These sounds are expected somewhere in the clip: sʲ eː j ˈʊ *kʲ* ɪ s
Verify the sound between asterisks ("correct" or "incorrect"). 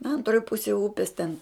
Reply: incorrect